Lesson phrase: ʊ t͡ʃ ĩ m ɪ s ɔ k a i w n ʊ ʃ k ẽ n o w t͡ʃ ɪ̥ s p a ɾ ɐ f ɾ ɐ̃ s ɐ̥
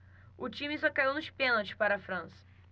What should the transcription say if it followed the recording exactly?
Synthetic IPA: ʊ t͡ʃ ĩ m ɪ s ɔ k a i w n ʊ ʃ p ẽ n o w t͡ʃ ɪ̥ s p a ɾ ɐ f ɾ ɐ̃ s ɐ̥